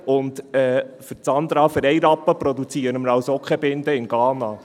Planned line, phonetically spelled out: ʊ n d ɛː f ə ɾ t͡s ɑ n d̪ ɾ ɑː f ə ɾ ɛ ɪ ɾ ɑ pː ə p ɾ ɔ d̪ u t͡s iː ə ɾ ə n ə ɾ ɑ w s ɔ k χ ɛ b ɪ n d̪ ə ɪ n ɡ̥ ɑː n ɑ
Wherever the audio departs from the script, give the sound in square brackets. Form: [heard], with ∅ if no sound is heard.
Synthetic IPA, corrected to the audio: ʊ n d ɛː f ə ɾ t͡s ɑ n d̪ ɾ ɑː f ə ɾ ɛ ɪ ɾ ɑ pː ə p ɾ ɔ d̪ u t͡s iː ə ɾ ə [m] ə ɾ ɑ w s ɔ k χ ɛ b ɪ n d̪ ə ɪ n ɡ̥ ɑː n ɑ

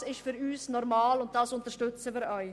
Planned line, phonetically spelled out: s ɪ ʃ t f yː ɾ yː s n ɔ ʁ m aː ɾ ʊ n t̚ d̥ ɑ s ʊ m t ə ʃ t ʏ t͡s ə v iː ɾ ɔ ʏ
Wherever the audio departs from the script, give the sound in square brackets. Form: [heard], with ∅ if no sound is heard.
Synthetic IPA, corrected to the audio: s ɪ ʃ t f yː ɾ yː s n ɔ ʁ m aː [l] ʊ n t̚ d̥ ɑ s ʊ [n] t ə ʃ t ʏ t͡s ə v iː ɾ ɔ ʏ

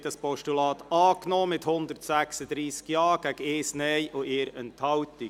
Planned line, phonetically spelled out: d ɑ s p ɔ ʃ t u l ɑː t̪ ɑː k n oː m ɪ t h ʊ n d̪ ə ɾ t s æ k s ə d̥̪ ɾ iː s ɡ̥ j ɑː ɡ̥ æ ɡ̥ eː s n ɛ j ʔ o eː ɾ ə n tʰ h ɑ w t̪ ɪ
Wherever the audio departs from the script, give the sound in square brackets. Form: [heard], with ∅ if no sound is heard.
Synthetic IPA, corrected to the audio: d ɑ s p ɔ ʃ t u l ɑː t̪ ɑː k n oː m ɪ t h ʊ n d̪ ə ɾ t s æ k s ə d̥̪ ɾ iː s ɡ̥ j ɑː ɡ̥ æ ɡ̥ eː s n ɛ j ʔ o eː ɾ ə n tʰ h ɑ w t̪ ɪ

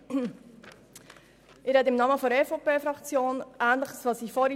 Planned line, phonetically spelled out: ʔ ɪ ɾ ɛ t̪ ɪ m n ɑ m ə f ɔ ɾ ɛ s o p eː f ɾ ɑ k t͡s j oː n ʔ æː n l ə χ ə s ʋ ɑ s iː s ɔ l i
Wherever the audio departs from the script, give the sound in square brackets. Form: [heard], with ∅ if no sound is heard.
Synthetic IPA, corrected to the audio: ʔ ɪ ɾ ɛ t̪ ɪ m n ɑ m ə f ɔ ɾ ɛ [f] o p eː f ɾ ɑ k t͡s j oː n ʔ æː n l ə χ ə s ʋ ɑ s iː [f] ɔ [ɾ] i

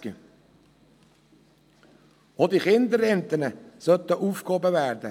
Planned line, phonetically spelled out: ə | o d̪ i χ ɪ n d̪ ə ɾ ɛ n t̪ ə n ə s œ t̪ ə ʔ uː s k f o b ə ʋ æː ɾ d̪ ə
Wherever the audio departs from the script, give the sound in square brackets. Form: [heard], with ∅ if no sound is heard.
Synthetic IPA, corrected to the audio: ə | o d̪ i χ ɪ n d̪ ə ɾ ɛ n t̪ ə n ə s œ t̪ ə ʔ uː [f] k [h] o b ə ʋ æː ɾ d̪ ə

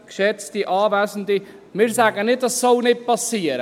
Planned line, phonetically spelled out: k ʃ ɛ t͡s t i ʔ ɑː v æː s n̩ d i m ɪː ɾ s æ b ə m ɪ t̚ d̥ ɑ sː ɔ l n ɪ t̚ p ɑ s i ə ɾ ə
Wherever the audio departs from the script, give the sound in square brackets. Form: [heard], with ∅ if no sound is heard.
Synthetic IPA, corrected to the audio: k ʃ ɛ t͡s t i ʔ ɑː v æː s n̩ d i m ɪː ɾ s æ [ɡ] ə [n] ɪ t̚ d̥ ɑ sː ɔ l n ɪ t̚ p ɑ s i ə ɾ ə

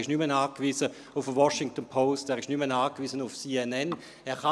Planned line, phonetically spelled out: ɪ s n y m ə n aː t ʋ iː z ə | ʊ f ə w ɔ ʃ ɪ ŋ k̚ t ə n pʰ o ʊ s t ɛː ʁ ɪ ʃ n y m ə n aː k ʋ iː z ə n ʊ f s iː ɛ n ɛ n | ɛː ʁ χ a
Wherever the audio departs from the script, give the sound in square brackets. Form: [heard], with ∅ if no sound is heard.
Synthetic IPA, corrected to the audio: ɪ [ʃ] n y m ə n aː [k] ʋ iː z ə | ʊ f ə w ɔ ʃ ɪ ŋ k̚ t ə n pʰ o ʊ s t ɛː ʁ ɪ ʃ n y m ə n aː k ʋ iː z ə n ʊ f s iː ɛ n ɛ n | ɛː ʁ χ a

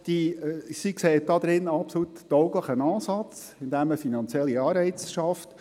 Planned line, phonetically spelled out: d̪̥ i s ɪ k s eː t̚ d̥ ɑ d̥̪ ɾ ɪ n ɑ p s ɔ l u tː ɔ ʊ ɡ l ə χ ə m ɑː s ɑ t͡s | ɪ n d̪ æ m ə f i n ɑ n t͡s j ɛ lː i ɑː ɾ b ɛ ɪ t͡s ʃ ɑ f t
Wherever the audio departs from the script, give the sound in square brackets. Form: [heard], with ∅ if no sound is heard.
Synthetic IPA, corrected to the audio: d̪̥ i s [i] k s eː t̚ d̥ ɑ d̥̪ ɾ ɪ n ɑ p s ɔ l u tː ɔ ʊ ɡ l ə χ ə [n] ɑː s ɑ t͡s | ɪ n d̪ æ m ə f i n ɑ n t͡s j ɛ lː i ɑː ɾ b ɛ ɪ t͡s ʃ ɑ f t

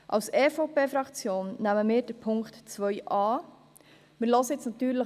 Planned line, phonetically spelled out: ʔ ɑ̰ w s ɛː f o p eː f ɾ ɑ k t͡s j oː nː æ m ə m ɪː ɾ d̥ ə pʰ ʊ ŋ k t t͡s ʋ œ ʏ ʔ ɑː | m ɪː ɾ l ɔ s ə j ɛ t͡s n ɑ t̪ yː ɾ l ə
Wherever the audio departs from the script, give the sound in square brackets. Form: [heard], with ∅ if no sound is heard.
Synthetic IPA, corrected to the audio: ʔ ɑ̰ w s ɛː f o p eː f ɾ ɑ k t͡s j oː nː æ m ə m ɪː ɾ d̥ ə pʰ ʊ ŋ k t t͡s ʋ œ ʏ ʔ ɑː | m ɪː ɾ l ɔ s ə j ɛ t͡s n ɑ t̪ yː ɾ l ə

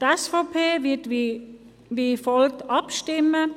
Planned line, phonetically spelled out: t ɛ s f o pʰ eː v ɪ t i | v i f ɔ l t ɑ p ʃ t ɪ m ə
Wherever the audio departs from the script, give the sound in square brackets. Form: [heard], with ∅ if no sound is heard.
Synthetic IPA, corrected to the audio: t ɛ s f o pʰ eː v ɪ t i | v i f ɔ l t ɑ p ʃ t ɪ m ə

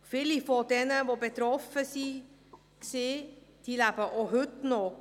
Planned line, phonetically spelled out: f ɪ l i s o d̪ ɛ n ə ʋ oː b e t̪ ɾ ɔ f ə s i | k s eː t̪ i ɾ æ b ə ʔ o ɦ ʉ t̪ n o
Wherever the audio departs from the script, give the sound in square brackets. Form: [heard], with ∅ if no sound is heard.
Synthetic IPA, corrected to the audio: f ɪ l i [f] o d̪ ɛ n ə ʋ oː b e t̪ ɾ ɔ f ə s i | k s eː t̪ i [l] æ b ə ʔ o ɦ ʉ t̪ n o

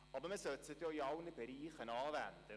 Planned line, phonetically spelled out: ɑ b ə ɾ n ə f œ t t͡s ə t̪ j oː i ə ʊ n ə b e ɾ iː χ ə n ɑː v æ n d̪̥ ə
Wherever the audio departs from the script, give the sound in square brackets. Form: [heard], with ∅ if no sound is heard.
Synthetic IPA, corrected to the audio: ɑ b ə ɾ [m] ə [s] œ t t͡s ə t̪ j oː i [ɑ] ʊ n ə b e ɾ iː χ ə n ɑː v æ n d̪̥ ə

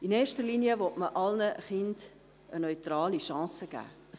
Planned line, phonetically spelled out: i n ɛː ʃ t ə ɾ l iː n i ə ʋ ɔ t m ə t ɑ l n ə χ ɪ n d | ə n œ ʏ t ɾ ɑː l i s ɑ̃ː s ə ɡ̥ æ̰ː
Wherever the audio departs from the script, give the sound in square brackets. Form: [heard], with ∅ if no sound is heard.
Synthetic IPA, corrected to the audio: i n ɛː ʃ t ə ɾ l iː n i ə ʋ ɔ t m ə [ʔ] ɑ l n ə χ ɪ n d | ə n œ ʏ t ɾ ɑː l i [ʃ] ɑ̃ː s ə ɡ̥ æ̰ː

